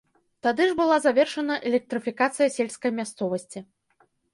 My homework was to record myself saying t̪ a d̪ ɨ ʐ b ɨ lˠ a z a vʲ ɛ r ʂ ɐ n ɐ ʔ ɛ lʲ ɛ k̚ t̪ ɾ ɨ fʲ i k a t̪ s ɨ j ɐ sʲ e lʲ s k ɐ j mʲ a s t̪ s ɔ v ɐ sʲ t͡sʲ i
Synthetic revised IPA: t̪ a d̪ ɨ ʐ b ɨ lˠ a z a vʲ ɛ r ʂ ɐ n ɐ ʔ ɛ lʲ ɛ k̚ t̪ ɾ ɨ fʲ i k a t̪ s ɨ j ɐ sʲ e lʲ s k ɐ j mʲ a s t̪ s ɔ v ɐ sʲ t͡sʲ i